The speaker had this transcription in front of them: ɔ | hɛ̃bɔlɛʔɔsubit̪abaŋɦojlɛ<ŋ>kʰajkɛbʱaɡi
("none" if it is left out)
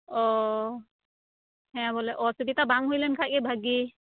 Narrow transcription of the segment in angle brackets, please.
n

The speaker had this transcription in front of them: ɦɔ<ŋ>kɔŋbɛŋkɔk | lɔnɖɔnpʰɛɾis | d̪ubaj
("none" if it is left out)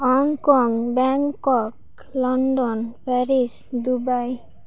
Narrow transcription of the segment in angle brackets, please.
ŋ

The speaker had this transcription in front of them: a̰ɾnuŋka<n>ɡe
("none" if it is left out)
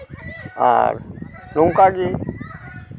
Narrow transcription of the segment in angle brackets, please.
none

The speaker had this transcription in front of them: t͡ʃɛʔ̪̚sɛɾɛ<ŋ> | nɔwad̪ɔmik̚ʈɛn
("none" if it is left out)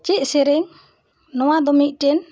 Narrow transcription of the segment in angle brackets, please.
ŋ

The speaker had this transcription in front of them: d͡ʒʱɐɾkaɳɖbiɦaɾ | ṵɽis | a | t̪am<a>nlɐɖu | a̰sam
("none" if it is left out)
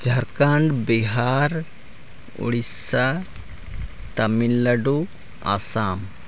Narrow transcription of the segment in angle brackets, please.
i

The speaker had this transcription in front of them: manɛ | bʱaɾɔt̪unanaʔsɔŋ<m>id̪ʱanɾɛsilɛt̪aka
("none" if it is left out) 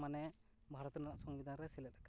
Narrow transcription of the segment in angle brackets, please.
b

